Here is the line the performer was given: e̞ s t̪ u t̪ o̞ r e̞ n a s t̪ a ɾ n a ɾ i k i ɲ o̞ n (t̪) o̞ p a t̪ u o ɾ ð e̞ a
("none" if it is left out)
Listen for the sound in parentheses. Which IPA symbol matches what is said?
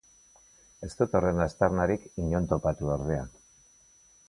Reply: t̪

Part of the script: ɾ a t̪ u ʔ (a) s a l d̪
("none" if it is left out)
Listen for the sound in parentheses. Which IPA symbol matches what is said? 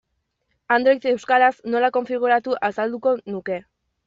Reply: a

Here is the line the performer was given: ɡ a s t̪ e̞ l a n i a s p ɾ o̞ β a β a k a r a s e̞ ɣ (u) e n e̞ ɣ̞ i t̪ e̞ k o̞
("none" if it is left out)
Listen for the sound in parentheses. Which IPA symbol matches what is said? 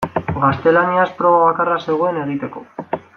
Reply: o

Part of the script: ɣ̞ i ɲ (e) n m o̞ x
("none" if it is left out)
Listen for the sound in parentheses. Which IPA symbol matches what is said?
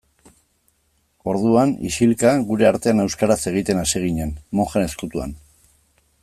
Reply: e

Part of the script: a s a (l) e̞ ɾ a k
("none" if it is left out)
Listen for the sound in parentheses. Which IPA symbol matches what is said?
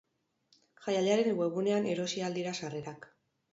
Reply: r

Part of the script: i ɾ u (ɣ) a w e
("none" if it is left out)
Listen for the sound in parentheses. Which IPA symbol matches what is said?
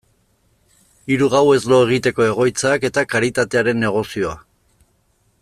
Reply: ɣ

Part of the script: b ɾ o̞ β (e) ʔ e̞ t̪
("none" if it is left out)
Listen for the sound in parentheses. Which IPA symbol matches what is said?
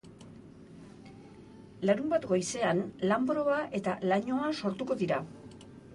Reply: a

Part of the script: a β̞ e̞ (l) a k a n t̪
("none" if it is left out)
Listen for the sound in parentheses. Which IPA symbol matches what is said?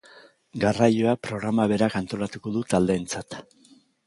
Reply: ɾ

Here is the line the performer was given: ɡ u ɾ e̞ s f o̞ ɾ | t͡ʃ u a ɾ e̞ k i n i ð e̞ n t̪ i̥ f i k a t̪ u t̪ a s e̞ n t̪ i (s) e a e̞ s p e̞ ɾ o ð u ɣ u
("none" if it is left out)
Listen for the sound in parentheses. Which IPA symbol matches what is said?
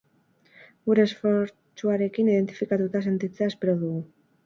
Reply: t͡s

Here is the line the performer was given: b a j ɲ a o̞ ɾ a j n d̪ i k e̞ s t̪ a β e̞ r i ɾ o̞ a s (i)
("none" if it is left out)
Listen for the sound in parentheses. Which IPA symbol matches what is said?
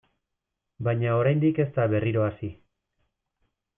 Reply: i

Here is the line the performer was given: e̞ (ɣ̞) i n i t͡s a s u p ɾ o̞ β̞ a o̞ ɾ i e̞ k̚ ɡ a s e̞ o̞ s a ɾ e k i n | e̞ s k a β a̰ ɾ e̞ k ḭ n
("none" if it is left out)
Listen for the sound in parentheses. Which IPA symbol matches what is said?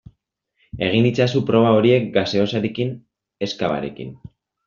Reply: ɣ̞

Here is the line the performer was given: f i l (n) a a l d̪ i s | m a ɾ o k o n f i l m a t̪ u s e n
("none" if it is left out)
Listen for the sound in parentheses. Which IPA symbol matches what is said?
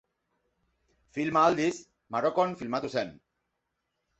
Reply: m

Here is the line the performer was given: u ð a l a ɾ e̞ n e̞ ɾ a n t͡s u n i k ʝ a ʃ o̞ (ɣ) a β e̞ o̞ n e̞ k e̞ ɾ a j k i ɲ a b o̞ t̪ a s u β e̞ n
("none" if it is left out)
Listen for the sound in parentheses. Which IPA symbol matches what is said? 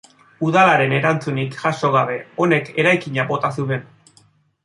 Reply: ɣ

